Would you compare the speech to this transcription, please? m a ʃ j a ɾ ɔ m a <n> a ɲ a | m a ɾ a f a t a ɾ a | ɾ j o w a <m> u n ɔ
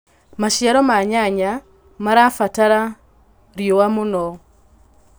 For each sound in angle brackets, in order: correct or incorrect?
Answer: incorrect, correct

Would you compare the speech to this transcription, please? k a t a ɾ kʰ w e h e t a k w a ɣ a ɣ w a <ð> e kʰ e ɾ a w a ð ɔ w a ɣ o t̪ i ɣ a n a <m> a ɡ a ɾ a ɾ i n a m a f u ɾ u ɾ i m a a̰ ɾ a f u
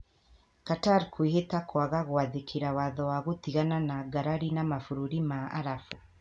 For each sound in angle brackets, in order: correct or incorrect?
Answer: correct, incorrect

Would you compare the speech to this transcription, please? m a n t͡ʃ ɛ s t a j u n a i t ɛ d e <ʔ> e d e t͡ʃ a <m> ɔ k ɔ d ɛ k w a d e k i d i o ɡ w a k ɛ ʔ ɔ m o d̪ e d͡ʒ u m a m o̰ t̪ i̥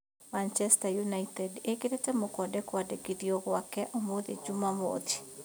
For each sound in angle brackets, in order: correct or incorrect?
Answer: incorrect, correct

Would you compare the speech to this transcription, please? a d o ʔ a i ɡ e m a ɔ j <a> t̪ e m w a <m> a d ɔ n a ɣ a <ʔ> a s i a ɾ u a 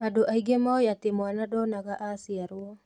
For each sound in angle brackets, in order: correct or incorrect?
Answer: correct, incorrect, correct

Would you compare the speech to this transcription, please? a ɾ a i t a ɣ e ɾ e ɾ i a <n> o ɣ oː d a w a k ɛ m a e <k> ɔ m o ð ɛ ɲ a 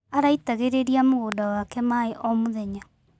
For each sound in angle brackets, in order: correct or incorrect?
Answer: incorrect, incorrect

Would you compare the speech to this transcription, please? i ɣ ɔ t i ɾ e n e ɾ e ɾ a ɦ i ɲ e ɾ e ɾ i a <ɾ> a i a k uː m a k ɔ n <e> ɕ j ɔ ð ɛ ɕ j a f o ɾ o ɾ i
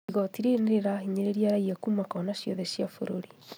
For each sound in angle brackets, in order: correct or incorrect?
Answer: correct, incorrect

